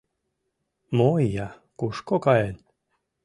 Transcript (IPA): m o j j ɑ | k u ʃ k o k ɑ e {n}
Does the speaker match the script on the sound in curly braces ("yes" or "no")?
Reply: yes